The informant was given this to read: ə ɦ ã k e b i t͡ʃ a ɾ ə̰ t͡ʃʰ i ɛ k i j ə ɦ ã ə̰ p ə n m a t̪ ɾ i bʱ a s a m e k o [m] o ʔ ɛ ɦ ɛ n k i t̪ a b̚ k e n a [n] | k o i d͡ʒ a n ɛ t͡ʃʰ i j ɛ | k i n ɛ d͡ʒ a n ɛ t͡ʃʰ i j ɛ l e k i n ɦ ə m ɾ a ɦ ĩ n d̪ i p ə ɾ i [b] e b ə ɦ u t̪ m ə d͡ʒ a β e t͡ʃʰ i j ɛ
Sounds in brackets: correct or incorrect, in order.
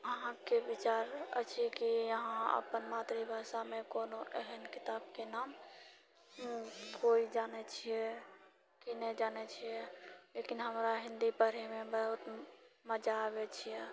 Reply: incorrect, incorrect, incorrect

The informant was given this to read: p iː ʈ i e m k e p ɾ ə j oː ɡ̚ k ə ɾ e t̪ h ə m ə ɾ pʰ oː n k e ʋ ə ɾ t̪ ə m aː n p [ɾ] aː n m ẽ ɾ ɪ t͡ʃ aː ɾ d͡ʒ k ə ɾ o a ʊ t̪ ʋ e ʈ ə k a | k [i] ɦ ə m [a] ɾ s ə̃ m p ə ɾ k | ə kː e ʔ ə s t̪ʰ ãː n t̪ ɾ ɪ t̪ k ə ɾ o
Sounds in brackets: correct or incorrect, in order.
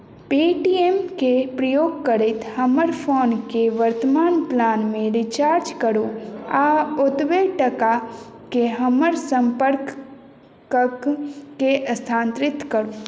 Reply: incorrect, incorrect, incorrect

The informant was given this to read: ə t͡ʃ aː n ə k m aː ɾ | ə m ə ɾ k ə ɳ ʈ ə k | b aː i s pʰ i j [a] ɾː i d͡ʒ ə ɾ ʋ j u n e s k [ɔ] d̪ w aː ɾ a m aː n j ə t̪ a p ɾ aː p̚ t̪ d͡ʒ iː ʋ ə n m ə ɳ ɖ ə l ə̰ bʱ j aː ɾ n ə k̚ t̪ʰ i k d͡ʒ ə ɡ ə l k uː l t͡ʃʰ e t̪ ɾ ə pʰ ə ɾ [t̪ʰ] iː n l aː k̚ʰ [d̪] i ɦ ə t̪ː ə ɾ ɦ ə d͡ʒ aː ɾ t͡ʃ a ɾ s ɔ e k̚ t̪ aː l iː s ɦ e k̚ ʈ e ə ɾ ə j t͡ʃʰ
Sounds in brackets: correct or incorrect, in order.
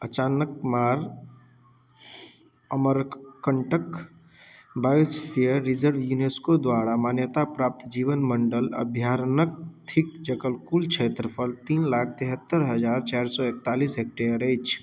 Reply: incorrect, incorrect, incorrect, incorrect

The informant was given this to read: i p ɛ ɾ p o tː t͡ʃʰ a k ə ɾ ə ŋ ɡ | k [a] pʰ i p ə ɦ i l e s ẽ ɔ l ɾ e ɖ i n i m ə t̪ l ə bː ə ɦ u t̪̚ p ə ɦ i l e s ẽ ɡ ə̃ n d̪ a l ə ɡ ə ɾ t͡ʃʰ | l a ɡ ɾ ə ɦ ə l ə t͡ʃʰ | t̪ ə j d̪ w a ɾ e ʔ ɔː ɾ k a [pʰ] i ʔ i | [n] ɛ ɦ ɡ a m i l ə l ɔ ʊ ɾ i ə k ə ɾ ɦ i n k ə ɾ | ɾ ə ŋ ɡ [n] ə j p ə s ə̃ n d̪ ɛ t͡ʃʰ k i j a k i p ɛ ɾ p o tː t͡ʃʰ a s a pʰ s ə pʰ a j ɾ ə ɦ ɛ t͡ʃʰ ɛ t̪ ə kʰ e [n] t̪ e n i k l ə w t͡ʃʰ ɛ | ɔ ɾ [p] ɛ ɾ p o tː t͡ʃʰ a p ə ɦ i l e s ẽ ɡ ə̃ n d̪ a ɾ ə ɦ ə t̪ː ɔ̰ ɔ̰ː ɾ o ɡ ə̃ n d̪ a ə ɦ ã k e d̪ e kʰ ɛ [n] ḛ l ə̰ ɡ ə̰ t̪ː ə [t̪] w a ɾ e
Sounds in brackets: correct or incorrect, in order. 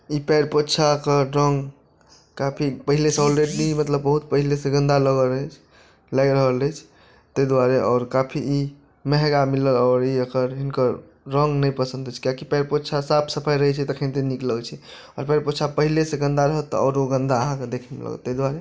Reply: correct, correct, incorrect, correct, correct, correct, incorrect, incorrect

